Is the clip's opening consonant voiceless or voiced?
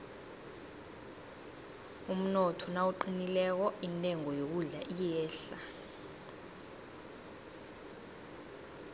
voiced